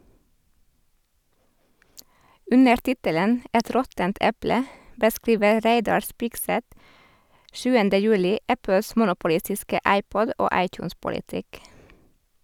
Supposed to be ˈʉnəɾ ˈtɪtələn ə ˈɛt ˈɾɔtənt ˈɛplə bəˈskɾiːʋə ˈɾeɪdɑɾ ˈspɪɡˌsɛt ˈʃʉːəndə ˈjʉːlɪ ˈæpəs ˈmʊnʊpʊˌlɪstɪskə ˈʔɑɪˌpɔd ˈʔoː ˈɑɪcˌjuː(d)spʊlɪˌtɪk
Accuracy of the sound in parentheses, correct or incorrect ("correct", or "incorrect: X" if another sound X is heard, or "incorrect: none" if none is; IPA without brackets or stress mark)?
incorrect: n